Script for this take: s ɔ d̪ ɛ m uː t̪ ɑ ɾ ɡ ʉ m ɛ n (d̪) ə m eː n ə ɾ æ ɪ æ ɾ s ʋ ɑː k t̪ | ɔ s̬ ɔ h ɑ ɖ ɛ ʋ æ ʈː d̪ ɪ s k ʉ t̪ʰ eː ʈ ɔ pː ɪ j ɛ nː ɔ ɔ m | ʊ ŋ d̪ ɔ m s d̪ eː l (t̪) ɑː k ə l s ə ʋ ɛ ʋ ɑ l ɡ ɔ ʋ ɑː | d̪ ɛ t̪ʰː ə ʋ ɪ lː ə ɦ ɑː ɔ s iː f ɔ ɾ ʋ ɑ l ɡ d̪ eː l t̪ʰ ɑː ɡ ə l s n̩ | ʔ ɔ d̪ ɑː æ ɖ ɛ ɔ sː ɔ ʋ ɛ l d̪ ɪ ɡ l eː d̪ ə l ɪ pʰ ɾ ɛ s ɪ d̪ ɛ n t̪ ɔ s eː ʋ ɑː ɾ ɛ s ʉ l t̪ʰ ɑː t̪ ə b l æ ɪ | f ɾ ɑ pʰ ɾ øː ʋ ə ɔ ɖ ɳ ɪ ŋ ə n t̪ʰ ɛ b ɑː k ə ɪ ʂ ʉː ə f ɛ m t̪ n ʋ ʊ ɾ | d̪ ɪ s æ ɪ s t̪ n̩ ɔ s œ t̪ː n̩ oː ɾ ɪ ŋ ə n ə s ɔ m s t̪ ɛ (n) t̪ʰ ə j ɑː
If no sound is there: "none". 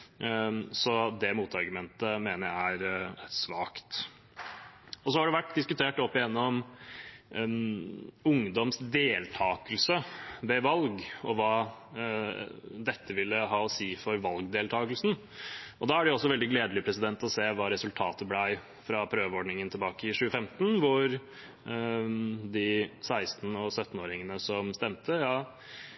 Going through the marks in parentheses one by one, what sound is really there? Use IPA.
t̪, t̪ʰ, m

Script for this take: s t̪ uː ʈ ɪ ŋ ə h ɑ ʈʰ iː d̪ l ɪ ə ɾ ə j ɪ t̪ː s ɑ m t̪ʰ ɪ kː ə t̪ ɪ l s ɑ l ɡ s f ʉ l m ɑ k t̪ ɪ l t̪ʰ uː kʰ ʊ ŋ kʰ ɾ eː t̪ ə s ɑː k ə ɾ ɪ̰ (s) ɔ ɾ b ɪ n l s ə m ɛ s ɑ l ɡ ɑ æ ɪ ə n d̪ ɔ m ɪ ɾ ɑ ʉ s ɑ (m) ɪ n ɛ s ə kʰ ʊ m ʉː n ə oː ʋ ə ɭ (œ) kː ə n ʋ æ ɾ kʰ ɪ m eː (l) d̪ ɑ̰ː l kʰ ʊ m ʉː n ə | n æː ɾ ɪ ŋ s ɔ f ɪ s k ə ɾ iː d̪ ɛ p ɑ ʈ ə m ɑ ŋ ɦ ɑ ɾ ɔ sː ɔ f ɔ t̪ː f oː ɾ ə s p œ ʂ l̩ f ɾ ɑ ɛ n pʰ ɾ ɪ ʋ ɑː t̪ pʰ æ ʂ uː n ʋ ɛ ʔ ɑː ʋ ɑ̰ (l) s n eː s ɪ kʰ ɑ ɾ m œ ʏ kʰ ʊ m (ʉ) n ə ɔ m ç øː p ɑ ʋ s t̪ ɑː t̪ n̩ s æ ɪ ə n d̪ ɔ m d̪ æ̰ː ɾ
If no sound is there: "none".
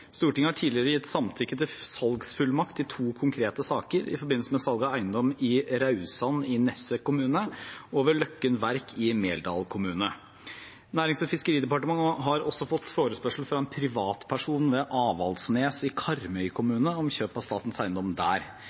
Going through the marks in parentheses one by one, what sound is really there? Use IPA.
f, n, œ, l, l, ʉː

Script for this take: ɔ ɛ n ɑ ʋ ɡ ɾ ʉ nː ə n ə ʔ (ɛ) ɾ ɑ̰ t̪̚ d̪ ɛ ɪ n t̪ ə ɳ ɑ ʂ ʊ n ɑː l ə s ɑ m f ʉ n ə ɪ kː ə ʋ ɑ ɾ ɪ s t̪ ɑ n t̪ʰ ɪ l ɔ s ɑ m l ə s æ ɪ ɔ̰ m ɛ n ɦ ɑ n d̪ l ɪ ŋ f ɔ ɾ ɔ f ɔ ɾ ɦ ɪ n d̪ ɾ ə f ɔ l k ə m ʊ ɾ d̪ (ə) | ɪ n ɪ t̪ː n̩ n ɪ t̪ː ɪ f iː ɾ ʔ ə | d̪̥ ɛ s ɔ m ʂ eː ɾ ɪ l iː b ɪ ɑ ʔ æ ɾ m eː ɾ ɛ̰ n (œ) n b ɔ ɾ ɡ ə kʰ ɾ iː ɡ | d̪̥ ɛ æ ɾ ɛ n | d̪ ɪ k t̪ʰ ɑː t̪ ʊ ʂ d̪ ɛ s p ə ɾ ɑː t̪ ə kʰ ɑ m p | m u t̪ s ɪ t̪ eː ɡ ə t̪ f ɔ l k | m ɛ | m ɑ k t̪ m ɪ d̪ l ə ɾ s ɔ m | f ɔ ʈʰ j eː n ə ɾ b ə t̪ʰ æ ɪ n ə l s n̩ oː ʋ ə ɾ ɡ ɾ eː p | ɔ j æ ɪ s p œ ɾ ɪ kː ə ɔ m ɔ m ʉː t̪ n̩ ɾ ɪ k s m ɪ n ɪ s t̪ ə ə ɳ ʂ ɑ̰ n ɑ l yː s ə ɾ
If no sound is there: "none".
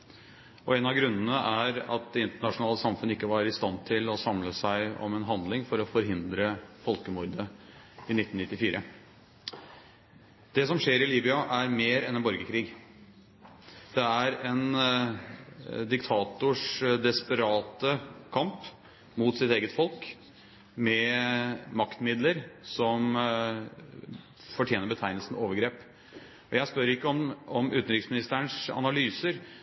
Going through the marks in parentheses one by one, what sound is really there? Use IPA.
æ, ə, ɛ

